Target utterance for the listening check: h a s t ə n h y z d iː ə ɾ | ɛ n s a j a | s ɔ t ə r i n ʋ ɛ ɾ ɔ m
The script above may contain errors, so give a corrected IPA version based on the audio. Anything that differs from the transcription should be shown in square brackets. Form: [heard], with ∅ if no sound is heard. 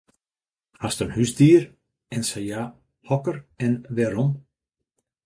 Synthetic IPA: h a s t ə n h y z d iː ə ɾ | ɛ n s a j a | [h] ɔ [k] ə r [ɛ] n ʋ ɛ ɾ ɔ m